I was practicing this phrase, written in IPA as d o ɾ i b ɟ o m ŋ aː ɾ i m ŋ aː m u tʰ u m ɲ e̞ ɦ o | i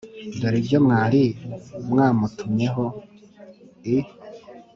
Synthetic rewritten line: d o ɾ i b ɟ o m ŋ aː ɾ i m ŋ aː m u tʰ u m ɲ e̞ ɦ o | i